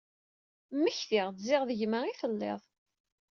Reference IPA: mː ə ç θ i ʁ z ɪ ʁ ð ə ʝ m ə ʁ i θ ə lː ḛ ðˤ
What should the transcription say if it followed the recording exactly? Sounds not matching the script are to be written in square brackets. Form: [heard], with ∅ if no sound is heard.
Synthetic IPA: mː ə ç θ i ʁ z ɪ ʁ ð ə ʝ m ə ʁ i θ ə lː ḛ ðˤ